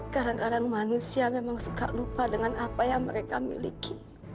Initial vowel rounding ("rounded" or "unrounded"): unrounded